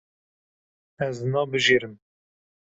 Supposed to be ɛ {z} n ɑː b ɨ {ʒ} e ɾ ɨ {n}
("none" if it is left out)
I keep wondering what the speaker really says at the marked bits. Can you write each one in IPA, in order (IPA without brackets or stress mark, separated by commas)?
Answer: z, ʒ, m